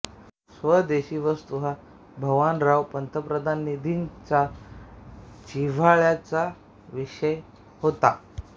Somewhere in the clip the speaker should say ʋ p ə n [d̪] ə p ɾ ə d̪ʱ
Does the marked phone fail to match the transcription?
yes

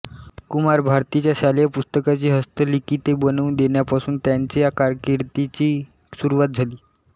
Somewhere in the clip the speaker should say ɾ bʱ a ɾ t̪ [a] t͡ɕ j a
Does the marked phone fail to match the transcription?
yes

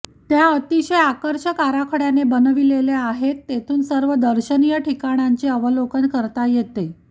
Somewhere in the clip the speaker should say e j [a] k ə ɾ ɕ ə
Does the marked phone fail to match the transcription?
no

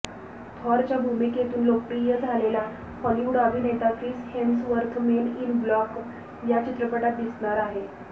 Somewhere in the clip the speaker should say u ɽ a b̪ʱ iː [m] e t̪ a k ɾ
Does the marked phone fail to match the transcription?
yes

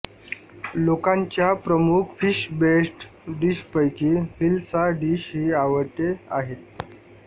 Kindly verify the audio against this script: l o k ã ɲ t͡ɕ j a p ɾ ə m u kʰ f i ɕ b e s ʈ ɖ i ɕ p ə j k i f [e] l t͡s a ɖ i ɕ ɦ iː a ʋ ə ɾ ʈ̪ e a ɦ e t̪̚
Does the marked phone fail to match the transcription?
yes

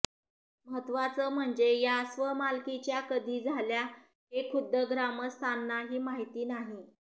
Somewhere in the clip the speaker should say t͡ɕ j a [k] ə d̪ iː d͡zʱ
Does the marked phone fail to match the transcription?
no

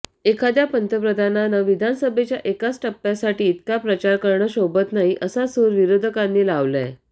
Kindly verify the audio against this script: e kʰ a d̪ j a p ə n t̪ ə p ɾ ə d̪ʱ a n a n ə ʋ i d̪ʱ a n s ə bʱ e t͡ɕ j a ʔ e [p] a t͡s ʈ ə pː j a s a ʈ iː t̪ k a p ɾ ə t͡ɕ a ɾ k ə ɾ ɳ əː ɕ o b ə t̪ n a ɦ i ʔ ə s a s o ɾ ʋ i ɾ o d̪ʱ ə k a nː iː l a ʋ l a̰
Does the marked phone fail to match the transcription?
yes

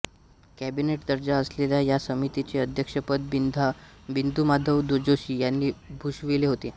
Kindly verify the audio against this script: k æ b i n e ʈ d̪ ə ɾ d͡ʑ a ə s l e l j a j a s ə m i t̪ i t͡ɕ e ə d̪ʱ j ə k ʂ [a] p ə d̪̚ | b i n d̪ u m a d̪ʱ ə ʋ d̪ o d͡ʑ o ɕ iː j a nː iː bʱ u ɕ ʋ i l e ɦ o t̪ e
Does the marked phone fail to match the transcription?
yes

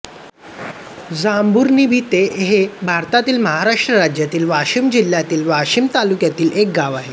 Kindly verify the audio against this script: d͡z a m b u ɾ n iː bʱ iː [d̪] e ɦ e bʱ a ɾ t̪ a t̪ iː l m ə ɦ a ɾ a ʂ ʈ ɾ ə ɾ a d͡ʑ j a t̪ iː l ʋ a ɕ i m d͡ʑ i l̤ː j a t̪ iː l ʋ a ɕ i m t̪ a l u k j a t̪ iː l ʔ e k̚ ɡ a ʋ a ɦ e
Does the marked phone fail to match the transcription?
yes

